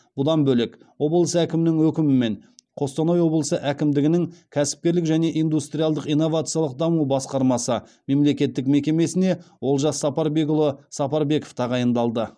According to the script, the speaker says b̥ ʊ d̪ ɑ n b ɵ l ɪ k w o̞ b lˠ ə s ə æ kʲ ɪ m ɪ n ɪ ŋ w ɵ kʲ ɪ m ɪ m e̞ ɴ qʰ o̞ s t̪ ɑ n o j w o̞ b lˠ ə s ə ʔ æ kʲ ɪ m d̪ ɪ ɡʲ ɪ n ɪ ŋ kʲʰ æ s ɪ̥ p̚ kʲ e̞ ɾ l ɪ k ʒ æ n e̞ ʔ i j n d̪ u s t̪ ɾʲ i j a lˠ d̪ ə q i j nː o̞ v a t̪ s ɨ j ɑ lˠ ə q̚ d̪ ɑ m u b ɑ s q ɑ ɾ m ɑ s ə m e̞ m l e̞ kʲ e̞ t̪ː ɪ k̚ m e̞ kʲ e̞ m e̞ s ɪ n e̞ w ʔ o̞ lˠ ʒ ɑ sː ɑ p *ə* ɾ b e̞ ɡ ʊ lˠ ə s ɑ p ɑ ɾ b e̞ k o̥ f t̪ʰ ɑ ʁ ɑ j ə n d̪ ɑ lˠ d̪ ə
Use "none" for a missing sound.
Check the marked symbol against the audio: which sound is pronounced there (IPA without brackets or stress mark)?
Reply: ɑ